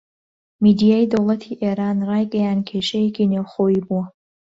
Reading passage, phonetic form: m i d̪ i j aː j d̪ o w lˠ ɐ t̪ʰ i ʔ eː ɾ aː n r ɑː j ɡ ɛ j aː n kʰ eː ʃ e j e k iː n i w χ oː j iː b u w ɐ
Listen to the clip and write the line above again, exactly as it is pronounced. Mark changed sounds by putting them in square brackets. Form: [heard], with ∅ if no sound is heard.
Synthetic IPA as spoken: m i d̪ i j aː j d̪ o w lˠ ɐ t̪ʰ i ʔ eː ɾ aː n r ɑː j ɡ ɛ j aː n kʰ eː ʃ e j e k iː n [e] w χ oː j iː b u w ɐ